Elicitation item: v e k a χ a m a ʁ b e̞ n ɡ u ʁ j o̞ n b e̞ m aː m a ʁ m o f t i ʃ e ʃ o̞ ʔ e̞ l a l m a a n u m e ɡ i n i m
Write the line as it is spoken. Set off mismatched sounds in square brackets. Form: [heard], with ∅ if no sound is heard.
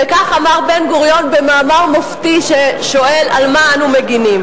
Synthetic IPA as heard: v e k a χ a m a ʁ b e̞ n ɡ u ʁ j o̞ n b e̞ m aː m a ʁ m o f t i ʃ e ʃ o̞ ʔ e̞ l a l m a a n u m e ɡ i n i m